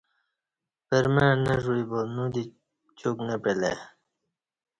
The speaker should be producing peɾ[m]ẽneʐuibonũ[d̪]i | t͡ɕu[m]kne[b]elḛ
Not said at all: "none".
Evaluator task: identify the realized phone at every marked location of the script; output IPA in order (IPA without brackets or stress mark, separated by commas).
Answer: m, d̪, none, p